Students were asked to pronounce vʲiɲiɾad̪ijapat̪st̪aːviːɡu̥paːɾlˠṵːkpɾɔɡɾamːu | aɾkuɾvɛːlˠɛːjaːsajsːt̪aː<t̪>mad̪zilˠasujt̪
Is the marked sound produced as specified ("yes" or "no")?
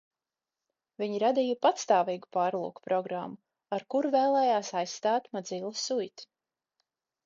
yes